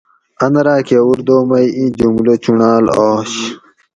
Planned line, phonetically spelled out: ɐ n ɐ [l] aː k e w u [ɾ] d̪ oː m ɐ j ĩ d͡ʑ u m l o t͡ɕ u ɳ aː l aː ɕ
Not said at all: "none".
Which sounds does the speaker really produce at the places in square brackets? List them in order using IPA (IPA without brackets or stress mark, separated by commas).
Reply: ɾ, ɾ